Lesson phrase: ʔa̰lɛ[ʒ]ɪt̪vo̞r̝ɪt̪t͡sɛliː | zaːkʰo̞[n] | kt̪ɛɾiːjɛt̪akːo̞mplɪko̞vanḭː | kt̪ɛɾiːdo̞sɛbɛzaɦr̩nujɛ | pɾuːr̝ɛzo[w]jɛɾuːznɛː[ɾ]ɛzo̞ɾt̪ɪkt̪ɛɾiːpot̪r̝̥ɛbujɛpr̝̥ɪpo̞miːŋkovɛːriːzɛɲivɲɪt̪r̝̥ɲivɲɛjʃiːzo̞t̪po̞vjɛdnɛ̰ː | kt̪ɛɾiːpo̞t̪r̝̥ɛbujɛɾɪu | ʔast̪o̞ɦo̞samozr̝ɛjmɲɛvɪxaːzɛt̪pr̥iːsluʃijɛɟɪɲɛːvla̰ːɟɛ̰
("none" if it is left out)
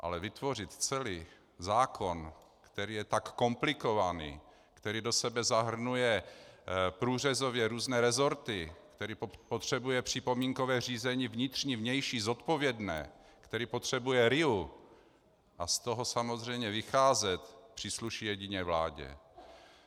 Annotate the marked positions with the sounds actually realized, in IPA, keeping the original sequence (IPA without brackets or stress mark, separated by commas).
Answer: v, n, v, ɾ